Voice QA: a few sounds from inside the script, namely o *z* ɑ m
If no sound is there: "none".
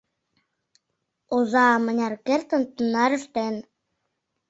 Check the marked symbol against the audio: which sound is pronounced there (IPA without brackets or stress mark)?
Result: z